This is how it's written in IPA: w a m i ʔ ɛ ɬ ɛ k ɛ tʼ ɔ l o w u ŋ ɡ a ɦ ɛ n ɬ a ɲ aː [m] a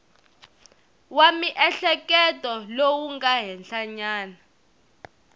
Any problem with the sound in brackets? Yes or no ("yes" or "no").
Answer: yes